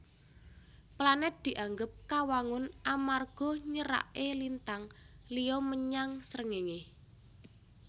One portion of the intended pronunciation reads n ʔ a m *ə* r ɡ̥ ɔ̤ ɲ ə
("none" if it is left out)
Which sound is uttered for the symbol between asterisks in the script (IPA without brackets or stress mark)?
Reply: a